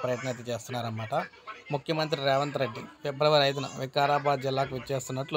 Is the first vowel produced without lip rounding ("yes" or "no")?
yes